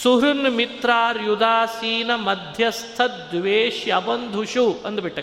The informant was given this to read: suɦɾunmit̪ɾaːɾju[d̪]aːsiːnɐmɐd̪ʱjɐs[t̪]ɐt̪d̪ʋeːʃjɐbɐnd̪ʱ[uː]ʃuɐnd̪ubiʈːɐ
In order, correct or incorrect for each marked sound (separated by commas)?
correct, incorrect, incorrect